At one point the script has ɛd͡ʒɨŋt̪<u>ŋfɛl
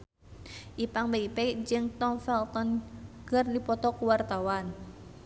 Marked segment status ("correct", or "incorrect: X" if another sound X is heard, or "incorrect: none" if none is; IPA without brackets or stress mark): incorrect: ɔ